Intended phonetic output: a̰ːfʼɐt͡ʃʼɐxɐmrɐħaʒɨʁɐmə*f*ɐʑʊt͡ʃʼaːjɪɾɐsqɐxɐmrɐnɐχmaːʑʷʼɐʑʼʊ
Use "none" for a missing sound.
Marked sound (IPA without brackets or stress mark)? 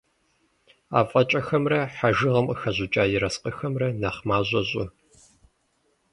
x